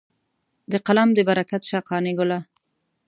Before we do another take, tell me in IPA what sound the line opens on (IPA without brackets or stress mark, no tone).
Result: d̪